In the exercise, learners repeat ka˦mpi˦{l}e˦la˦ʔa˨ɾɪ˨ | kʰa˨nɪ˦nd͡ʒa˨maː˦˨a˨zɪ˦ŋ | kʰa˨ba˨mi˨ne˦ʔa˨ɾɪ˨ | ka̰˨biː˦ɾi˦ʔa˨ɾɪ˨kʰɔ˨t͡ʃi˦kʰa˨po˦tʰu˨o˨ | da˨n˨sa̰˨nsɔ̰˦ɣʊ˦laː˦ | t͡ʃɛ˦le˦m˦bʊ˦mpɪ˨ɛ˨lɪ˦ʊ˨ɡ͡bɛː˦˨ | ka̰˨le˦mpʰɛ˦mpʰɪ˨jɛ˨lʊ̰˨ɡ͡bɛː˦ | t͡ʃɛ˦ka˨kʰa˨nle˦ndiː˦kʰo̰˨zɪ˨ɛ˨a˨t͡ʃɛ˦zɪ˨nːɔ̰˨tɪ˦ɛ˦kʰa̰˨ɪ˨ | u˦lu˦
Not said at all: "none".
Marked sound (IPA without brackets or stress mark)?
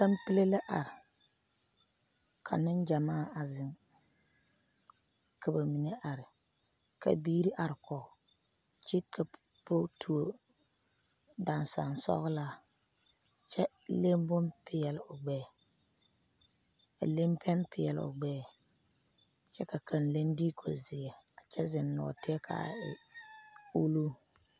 l